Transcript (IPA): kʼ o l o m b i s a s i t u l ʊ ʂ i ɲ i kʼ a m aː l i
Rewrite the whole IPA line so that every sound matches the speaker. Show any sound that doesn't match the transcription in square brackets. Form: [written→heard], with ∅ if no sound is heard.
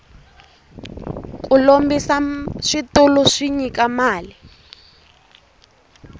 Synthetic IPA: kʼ [o→u] l o m b i s a [s→ʂ] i t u l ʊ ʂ i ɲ i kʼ a m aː l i